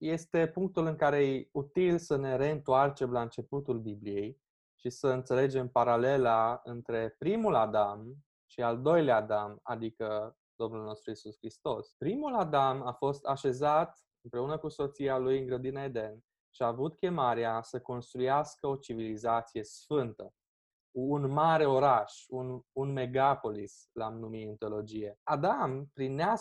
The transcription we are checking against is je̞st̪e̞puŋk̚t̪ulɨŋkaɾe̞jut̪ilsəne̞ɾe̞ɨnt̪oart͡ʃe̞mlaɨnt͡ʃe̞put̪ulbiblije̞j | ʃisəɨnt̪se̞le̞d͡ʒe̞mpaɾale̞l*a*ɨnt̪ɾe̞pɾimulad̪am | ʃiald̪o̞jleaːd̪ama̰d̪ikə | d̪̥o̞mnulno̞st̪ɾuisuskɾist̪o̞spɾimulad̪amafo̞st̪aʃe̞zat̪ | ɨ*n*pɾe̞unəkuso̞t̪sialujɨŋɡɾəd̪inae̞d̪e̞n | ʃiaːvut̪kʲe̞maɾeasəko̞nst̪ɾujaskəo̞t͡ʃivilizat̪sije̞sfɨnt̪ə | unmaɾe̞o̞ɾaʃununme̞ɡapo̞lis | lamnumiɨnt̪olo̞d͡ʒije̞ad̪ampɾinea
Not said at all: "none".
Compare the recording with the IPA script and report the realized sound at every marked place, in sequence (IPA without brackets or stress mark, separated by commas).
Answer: a, m